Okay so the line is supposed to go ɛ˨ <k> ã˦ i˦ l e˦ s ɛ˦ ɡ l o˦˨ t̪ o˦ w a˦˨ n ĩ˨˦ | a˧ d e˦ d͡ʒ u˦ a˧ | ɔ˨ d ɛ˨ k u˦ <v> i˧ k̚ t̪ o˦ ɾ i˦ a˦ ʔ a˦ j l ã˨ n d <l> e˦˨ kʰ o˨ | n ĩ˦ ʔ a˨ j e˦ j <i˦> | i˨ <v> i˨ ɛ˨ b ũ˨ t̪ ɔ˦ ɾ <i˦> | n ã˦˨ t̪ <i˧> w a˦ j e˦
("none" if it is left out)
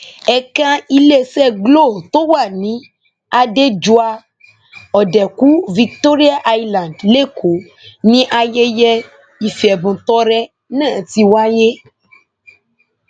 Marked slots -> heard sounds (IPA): k, v, l, ɛ˦, f, ɛ˦, i˧

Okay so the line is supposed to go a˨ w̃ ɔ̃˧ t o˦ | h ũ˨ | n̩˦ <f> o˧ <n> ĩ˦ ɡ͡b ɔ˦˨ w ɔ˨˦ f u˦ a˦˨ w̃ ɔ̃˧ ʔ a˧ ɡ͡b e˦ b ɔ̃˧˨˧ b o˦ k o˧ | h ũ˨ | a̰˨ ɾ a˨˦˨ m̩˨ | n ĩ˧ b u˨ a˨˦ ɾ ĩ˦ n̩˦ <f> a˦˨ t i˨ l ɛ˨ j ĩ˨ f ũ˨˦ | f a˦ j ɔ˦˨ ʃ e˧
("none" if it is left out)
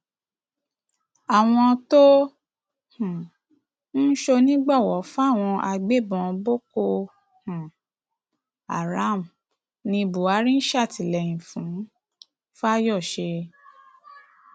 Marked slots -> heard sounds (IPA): ʃ, n, ʃ

